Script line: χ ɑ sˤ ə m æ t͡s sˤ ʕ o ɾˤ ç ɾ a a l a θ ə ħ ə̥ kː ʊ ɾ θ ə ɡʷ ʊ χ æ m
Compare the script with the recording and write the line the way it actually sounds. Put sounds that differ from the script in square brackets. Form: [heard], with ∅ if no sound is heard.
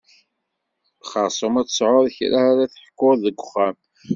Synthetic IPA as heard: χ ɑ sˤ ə m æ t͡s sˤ ʕ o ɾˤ ç ɾ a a [ɾ] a θ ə ħ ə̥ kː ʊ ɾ [ð] ə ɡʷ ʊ χ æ m